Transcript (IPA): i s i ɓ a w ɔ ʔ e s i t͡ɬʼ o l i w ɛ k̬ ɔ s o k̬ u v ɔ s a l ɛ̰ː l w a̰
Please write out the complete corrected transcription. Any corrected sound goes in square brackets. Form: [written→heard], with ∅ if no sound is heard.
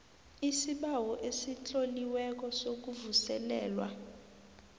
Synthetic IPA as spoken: i s i ɓ a w ɔ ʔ e s i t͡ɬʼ o l i w ɛ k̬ ɔ s o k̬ u v [ɔ→u] s [a→ɛ] l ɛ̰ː l w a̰